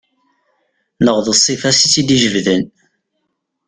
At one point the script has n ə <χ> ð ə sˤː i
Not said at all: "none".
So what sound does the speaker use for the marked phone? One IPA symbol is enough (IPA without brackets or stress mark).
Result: ʁ